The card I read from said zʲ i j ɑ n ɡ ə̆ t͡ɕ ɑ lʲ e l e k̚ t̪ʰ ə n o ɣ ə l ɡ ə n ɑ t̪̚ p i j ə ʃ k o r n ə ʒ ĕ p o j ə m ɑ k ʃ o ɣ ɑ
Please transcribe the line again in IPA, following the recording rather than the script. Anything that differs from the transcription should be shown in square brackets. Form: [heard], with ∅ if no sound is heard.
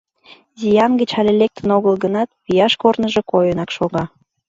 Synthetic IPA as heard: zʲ i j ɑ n ɡ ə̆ t͡ɕ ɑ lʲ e l e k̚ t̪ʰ ə n o ɣ ə l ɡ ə n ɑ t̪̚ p i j [ɑ] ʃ k o r n ə ʒ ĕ [k] o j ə [n] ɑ k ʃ o ɣ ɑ

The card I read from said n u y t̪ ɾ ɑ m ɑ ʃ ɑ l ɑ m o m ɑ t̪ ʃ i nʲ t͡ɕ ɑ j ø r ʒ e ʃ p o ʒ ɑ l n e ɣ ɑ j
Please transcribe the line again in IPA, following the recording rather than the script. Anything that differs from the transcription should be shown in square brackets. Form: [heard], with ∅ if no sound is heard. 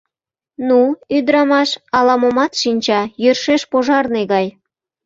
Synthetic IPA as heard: n u y [d̪] ɾ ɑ m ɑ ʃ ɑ l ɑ m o m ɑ t̪ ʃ i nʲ t͡ɕ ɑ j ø r [ʃ] e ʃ p o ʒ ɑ [r] n e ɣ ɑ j

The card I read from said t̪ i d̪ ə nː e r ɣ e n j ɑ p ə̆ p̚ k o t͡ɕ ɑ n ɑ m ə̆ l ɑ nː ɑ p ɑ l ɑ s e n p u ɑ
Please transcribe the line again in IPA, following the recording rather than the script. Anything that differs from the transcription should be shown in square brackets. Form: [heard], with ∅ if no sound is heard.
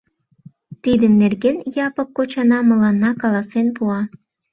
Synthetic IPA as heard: t̪ i d̪ ə nː e r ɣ e n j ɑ p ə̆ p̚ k o t͡ɕ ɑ n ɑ m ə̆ l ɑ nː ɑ [k] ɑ l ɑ s e n p u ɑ

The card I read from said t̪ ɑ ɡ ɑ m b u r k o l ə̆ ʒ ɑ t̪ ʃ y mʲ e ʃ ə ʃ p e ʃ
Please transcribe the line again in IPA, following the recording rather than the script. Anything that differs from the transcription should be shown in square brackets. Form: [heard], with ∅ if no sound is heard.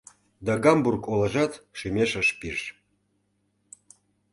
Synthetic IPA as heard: [d̪] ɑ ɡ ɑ m b u r k o l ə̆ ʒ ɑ t̪ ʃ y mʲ e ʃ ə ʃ p [i] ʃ

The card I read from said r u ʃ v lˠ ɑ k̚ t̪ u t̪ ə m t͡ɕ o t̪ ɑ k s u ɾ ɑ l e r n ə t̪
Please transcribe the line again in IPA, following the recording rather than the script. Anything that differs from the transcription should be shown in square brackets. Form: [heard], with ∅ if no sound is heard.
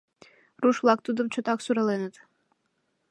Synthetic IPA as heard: r u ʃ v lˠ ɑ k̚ t̪ u [d̪] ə m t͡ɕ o t̪ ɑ k s u ɾ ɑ l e [∅] n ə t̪

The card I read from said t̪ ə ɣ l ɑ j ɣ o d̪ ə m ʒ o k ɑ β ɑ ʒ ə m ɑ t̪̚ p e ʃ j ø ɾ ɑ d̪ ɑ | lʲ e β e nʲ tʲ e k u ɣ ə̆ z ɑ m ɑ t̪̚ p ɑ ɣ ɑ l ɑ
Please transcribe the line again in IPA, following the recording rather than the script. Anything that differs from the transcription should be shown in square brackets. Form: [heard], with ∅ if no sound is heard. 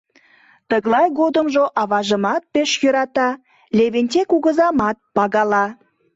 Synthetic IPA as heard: t̪ ə ɣ l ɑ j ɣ o d̪ ə m ʒ o [ʔ] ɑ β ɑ ʒ ə m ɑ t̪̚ p e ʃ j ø ɾ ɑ [t̪] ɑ | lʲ e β e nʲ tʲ e k u ɣ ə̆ z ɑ m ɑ t̪̚ p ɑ ɣ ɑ l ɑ

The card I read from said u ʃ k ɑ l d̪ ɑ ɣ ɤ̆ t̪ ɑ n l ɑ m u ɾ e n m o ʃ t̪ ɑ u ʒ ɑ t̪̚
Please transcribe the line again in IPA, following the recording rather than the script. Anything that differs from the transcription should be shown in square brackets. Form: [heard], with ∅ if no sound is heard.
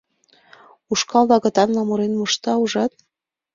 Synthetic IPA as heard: u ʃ k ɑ l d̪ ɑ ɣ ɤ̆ t̪ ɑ n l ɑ m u ɾ e n m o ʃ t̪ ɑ u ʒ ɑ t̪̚

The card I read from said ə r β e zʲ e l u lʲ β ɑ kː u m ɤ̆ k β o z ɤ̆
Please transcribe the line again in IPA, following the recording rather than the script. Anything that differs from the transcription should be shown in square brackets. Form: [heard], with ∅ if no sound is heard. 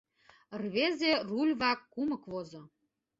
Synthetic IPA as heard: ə r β e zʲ e [r] u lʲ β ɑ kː u m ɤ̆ k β o z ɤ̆

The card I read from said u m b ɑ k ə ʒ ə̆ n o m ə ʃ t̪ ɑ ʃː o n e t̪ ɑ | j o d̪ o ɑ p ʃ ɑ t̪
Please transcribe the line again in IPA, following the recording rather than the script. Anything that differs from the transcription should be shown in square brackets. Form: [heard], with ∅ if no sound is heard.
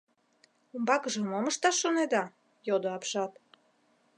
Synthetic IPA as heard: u m b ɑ k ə ʒ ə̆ [m] o m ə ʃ t̪ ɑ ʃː o n e [d̪] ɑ | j o d̪ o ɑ p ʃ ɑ t̪

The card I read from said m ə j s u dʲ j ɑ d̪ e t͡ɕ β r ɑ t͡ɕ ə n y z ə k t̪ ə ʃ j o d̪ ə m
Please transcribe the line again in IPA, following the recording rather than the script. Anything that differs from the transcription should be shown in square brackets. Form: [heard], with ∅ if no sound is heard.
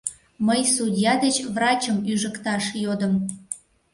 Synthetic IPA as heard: m ə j s u dʲ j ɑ d̪ e t͡ɕ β r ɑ t͡ɕ ə [m] y [ʒ] ə k t̪ [ɑ] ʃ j o d̪ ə m

